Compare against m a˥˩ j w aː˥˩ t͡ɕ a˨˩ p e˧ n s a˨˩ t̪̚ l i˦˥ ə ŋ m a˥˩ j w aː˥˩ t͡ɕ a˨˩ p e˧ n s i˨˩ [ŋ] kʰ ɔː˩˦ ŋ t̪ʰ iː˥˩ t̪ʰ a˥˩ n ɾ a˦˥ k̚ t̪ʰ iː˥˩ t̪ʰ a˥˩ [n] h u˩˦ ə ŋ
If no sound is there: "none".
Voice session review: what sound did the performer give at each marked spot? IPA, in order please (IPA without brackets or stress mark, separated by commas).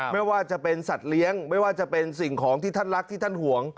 ŋ, n